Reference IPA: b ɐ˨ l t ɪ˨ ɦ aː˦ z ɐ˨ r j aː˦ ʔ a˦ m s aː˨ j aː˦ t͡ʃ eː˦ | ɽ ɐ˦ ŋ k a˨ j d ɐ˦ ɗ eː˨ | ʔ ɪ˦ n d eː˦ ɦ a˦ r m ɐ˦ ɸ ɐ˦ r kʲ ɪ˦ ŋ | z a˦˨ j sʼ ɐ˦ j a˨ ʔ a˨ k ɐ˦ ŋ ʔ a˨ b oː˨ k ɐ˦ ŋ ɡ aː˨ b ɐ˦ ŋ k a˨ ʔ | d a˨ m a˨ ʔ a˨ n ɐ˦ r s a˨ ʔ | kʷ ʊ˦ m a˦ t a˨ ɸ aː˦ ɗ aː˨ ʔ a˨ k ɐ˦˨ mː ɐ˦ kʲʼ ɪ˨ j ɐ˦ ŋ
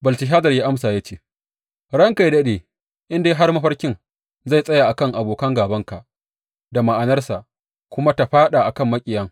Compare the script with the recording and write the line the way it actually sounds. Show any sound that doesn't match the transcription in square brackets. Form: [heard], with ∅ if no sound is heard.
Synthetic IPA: b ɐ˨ l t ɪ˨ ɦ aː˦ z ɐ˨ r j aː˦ ʔ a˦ m s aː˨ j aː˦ t͡ʃ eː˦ | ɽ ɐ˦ ŋ k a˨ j d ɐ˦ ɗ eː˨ | ʔ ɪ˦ n d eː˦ ɦ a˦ r m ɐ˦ ɸ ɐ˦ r kʲ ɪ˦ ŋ | z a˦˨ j sʼ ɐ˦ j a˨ ʔ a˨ k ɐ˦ ŋ ʔ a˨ b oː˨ k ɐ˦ ŋ ɡ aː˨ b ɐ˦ ŋ k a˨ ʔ | d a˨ m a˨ ʔ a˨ n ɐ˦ r s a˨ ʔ | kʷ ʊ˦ m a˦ t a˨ ɸ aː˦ ɗ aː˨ ʔ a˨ k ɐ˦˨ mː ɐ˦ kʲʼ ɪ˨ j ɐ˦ ŋ